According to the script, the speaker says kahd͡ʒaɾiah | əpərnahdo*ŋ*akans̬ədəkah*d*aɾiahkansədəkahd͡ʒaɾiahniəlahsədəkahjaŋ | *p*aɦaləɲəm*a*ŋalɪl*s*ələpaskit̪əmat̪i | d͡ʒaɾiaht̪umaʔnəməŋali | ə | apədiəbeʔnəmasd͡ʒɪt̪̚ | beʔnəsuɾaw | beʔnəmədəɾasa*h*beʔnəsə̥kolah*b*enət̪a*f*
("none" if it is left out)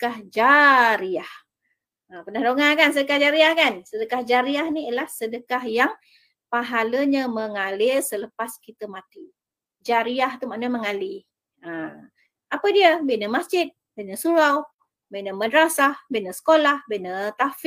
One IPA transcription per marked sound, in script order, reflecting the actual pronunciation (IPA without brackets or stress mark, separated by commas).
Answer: ŋ, d͡ʒ, p, ə, s, h, b, f